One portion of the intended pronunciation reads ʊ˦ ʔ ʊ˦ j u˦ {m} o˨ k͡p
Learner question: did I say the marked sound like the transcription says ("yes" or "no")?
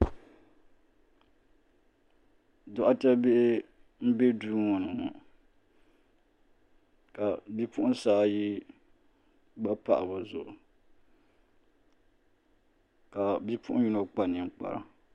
no